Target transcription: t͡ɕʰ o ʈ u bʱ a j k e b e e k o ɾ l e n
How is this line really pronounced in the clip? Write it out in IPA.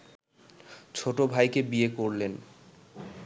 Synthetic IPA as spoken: t͡ɕʰ o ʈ o bʱ a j k e b i e k o ɾ l e n